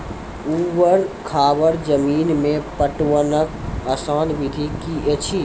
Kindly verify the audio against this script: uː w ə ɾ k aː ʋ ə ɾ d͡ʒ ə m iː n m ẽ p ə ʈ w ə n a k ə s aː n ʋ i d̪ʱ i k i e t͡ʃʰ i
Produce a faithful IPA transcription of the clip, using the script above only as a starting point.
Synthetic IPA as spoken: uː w ə ɾ kʰ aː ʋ ə ɾ d͡ʒ ə m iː n m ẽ p ə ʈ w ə n ə k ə s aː n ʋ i d̪ʱ i k i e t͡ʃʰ i